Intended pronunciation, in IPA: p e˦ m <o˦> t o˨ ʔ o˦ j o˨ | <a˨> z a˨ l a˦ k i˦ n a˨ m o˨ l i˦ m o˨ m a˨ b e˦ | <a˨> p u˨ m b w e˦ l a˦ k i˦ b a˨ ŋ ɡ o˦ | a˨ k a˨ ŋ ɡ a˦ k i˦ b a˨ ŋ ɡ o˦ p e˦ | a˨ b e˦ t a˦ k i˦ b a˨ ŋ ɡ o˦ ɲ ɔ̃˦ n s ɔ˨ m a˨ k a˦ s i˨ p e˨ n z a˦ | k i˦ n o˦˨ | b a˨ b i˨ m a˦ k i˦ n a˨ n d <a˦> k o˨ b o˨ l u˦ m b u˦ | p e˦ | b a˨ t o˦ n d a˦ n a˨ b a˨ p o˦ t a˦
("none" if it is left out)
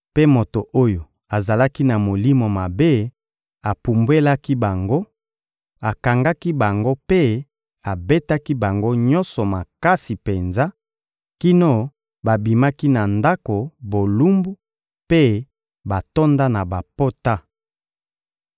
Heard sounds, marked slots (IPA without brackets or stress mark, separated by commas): o˨, a˨, a˨, a˦